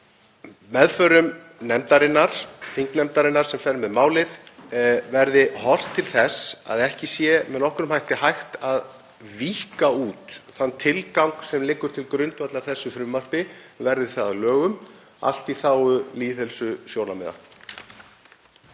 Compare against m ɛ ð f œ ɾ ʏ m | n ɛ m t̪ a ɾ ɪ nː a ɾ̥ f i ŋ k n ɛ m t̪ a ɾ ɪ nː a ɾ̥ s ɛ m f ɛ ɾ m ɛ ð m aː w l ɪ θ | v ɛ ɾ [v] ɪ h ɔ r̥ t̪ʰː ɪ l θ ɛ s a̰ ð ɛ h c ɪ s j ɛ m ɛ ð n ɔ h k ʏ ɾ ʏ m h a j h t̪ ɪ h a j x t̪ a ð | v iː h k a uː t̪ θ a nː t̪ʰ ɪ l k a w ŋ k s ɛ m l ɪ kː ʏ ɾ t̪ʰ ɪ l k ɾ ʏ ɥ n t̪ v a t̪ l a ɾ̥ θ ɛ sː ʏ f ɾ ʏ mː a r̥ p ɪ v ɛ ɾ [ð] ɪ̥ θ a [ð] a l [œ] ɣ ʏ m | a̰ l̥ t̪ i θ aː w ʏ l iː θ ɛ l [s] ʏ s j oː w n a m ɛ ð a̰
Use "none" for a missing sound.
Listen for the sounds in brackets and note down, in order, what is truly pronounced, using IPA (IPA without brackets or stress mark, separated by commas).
ð, ð, ð, œː, s